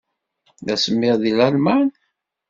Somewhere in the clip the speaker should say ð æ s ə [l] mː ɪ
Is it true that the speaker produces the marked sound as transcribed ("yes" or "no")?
no